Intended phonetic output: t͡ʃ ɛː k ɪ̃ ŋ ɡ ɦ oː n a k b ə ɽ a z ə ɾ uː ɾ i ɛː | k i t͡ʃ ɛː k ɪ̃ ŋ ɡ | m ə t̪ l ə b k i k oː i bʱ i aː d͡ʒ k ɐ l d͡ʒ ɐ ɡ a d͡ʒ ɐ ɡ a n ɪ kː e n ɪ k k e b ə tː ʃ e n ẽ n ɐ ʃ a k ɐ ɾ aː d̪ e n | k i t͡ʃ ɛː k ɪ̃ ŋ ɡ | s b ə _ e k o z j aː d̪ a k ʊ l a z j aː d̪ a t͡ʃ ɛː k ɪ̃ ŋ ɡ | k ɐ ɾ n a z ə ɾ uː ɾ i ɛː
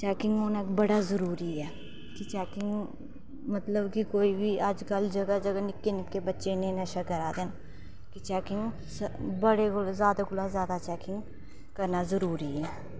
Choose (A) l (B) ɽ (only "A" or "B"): B